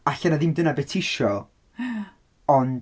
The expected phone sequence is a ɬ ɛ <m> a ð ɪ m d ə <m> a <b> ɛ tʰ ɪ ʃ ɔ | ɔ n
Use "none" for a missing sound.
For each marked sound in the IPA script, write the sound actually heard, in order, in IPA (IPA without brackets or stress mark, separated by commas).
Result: n, n, b